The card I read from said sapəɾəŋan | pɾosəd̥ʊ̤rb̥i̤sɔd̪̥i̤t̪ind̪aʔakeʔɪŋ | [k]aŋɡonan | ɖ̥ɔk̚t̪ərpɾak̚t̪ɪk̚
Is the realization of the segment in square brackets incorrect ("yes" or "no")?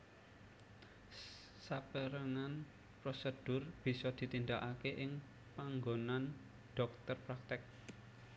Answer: yes